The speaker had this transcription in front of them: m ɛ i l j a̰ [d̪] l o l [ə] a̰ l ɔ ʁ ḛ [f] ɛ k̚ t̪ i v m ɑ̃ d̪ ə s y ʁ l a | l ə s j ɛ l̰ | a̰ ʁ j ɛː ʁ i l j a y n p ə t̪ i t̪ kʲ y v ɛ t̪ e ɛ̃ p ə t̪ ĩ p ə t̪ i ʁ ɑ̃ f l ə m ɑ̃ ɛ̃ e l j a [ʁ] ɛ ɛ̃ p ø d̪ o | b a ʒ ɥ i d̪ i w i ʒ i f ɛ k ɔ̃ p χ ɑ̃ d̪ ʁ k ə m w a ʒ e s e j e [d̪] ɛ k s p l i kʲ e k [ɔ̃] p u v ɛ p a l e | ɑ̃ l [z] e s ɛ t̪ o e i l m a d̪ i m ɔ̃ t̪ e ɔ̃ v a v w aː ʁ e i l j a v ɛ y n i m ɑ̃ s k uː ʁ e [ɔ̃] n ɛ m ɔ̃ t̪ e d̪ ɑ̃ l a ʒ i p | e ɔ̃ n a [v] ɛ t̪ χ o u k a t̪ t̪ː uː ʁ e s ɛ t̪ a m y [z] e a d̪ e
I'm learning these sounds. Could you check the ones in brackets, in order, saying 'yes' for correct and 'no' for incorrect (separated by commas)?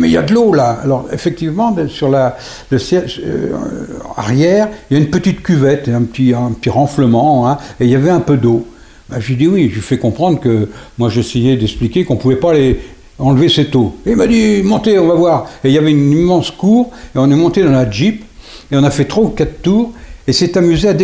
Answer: yes, no, yes, no, yes, yes, no, yes, no, yes